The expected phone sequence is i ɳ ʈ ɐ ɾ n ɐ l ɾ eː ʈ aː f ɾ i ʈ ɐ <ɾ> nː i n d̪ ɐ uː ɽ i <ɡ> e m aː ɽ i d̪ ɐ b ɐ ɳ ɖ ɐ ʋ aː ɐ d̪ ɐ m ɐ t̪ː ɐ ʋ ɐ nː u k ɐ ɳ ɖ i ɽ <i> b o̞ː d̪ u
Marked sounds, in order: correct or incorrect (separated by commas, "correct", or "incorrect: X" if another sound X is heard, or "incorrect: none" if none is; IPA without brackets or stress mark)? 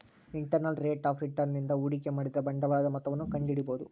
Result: correct, incorrect: k, correct